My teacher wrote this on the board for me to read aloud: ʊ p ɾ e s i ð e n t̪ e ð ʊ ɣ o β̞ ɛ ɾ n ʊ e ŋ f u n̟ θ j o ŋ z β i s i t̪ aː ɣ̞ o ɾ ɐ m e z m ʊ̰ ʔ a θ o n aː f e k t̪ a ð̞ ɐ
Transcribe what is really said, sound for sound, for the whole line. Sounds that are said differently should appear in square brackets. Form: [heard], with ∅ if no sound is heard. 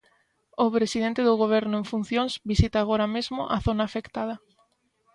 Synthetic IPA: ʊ p ɾ e s i ð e n t̪ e ð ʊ ɣ o β̞ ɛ ɾ n ʊ e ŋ f u n̟ θ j o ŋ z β i s i t̪ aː ɣ̞ o ɾ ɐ m e z m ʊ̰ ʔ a θ o n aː f e k t̪ a ð̞ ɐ